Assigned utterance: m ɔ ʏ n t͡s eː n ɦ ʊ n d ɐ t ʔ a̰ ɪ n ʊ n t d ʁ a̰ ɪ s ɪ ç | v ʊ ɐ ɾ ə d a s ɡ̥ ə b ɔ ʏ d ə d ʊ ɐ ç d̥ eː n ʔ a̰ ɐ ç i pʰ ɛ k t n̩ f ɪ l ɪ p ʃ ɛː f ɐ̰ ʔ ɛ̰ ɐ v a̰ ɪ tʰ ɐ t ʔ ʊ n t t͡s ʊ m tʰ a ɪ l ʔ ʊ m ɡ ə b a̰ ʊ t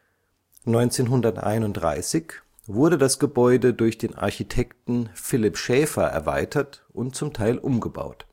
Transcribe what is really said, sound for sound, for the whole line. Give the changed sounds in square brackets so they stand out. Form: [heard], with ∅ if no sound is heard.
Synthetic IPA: [n] ɔ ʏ n t͡s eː n ɦ ʊ n d ɐ t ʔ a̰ ɪ n ʊ n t d ʁ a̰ ɪ s ɪ ç | v ʊ ɐ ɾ ə d a s ɡ̥ ə b ɔ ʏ d ə d ʊ ɐ ç d̥ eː n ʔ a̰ ɐ ç i [tʰ] ɛ k t n̩ f ɪ l ɪ p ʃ ɛː f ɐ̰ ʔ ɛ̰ ɐ v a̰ ɪ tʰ ɐ t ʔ ʊ n t t͡s ʊ m tʰ a ɪ l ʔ ʊ m ɡ ə b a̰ ʊ t